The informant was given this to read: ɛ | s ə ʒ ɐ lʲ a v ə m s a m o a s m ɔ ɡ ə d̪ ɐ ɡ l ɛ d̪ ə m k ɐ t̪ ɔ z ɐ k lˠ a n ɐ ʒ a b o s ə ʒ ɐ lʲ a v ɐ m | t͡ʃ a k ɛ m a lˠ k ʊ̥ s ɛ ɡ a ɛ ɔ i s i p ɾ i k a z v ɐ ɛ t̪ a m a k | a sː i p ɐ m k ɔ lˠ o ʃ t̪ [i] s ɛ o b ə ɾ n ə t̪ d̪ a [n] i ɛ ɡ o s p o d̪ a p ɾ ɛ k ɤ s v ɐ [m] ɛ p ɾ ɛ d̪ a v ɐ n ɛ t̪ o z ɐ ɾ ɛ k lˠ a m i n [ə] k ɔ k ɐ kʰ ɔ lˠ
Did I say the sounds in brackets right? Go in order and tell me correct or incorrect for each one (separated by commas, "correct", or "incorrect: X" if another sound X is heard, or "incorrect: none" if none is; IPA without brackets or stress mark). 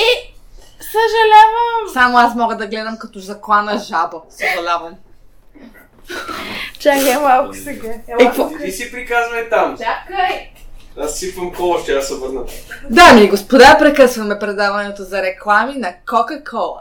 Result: incorrect: a, incorrect: m, correct, incorrect: ɐ